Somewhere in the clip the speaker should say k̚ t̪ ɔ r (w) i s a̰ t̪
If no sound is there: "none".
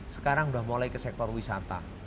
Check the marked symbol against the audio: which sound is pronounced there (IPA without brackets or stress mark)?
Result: w